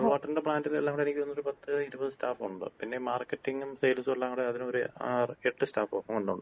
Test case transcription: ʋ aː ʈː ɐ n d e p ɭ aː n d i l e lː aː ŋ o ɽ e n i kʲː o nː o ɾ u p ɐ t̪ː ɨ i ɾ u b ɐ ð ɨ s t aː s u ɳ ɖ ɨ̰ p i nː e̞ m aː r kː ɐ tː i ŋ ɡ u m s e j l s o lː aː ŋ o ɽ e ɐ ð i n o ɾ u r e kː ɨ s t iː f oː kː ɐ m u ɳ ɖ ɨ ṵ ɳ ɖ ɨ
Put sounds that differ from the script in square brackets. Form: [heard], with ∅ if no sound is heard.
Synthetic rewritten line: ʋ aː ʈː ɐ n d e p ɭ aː n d i l e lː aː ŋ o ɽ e n i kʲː o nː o ɾ u p ɐ t̪ː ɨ i ɾ u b ɐ ð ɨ s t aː [f] u ɳ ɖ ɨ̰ p i nː e̞ m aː r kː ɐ tː i ŋ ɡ u m s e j l s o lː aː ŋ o ɽ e ɐ ð i n o ɾ u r e [ʈː] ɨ s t [aː] f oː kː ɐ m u ɳ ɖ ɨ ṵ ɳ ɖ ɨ

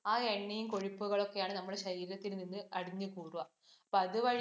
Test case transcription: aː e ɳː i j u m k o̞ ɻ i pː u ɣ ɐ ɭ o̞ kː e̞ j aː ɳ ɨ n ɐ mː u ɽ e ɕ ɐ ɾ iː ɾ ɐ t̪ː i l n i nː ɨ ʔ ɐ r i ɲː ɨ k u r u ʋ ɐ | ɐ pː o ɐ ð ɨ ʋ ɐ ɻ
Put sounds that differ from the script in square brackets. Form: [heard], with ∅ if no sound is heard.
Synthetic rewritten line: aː e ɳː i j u m k o̞ ɻ i pː u ɣ ɐ ɭ o̞ kː e̞ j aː ɳ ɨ n ɐ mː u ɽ e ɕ ɐ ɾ iː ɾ ɐ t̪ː i l n i nː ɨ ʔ ɐ [ɽ] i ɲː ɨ k [uː] r u ʋ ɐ | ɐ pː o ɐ ð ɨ ʋ ɐ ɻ

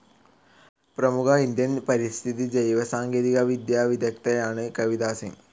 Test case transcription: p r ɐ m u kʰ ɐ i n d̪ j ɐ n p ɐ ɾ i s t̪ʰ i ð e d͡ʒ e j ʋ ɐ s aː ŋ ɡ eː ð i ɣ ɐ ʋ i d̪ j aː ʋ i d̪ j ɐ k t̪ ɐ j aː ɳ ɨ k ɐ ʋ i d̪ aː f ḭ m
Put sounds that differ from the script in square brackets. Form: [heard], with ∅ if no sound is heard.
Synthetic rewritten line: p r ɐ m u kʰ ɐ i n d̪ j ɐ n p ɐ ɾ i s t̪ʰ i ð [i] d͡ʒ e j ʋ ɐ s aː ŋ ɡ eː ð i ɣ ɐ ʋ i d̪ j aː ʋ i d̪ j ɐ k t̪ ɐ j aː ɳ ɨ k ɐ ʋ i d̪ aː [s] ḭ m

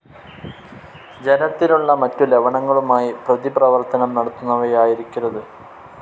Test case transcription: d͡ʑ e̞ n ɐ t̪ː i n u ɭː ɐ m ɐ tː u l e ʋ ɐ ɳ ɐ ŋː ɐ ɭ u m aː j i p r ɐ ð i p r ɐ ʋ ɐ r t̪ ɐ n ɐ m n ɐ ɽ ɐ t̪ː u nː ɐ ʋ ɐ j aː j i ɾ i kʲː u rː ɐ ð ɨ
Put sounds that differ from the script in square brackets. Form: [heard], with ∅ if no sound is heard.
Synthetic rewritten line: d͡ʑ e̞ n ɐ t̪ː i n u ɭː ɐ m ɐ tː u l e ʋ ɐ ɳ ɐ ŋː ɐ ɭ u m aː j i p r ɐ ð i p r ɐ ʋ ɐ r t̪ ɐ n ɐ m n ɐ ɽ ɐ t̪ː u nː ɐ ʋ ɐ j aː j i ɾ i kʲː u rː ɐ ð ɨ

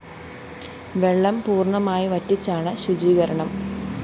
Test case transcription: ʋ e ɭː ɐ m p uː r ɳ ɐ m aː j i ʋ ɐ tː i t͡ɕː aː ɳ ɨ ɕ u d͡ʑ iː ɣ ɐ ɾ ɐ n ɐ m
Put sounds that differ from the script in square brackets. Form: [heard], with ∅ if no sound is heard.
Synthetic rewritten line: ʋ e ɭː ɐ m p uː r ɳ ɐ m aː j i ʋ ɐ tː i t͡ɕː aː ɳ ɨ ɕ u d͡ʑ iː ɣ ɐ ɾ ɐ [ɳ] ɐ m

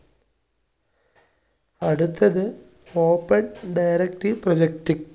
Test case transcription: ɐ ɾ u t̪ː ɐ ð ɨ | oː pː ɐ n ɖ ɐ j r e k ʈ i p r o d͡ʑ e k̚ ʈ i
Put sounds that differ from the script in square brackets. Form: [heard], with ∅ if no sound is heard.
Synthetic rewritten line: ɐ [ɽ] u t̪ː ɐ ð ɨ | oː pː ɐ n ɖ ɐ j [ɾ] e k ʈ i p r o d͡ʑ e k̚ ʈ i

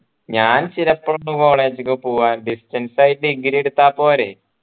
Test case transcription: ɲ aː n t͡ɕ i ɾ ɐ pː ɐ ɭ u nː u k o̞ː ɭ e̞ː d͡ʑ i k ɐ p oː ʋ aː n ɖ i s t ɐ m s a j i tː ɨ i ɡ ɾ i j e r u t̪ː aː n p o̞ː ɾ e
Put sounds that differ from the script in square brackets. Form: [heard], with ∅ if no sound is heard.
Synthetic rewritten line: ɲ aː n t͡ɕ i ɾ ɐ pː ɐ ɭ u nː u k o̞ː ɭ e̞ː d͡ʑ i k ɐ p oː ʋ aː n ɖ i s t ɐ [n] s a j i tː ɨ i ɡ ɾ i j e [ɽ] u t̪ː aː [∅] p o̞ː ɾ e

